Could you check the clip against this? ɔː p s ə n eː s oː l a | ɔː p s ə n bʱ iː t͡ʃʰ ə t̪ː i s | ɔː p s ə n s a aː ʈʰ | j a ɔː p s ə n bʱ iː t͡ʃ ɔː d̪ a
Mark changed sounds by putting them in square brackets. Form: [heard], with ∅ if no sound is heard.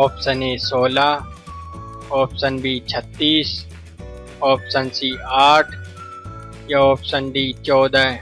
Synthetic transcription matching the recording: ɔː p s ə n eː s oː l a | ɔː p s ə n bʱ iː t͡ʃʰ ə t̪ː [iː] s | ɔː p s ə n s [i] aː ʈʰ | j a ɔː p s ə n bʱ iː t͡ʃ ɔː d̪ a